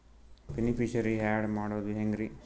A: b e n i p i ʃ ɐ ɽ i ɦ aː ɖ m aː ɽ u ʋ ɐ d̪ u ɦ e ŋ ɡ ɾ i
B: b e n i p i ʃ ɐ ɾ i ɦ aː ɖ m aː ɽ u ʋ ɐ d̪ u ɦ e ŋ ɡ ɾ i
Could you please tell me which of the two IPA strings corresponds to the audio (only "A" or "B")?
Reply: B